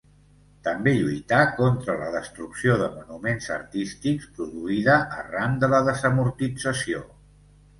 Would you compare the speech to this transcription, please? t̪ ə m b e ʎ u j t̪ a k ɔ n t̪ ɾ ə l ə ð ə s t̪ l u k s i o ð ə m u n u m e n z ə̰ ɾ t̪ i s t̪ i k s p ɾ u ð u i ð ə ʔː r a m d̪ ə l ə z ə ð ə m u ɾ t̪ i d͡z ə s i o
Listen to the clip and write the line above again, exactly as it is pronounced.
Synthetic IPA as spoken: t̪ ə m b e ʎ u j t̪ a k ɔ n t̪ ɾ ə l ə ð ə s t̪ ɾ u k s i o ð ə m u n u m e n z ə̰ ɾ t̪ i s t̪ i k s p ɾ u ð u i ð ə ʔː r a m d̪ ə l ə ð ə z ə m u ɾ t̪ i d͡z ə s i o